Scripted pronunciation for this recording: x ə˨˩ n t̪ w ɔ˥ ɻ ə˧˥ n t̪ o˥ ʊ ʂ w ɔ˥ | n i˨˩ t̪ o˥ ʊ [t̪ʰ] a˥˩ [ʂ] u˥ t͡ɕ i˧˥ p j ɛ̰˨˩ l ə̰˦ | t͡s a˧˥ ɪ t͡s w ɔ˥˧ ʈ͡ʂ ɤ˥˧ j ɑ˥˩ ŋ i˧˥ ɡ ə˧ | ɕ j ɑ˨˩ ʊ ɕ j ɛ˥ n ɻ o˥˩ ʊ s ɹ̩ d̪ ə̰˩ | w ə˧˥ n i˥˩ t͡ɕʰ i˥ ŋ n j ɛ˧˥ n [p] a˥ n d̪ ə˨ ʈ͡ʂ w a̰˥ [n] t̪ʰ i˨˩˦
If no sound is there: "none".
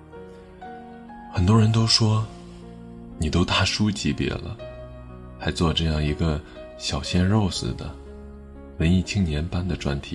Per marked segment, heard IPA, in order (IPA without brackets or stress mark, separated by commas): t̪, ʂ, p, n